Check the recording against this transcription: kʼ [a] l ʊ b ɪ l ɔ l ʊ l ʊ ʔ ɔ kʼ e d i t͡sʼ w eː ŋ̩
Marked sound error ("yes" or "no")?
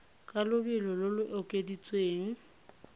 no